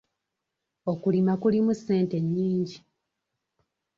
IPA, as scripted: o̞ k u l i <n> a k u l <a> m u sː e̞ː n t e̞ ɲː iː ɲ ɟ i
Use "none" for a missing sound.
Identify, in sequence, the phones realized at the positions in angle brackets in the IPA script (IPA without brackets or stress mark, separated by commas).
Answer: m, i